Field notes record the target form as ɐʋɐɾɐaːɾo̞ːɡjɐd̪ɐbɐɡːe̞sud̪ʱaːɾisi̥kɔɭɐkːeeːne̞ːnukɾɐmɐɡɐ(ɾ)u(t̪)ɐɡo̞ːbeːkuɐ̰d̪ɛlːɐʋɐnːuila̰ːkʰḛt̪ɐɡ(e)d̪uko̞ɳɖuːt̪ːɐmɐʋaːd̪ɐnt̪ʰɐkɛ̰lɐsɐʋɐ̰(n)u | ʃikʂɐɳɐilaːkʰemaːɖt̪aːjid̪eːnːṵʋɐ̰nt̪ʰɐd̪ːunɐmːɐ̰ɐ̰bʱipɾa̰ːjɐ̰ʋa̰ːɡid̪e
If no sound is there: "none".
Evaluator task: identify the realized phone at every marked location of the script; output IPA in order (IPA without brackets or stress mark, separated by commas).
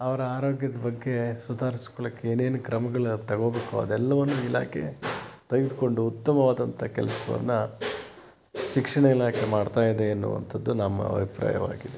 ɭ, t̪, i, nː